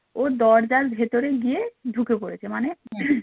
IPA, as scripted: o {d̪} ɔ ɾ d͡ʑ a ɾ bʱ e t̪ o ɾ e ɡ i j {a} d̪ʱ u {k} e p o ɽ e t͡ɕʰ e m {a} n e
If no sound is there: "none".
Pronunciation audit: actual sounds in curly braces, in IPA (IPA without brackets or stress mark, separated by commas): d̪, e, k, a